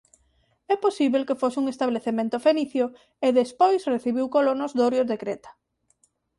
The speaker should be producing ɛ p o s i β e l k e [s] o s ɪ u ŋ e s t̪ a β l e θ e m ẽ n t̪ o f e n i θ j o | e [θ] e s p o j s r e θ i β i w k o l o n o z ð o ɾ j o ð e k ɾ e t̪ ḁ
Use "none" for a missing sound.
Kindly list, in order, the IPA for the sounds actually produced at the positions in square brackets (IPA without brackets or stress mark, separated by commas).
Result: f, ð